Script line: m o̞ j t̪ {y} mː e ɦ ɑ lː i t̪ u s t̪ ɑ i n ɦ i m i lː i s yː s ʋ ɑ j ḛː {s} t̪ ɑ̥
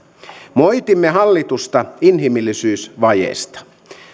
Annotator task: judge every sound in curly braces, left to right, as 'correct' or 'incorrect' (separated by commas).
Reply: incorrect, correct